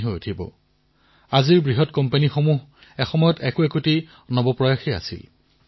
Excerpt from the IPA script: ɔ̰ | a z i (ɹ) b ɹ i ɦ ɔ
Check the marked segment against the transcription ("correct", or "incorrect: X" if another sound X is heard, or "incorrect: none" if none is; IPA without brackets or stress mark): correct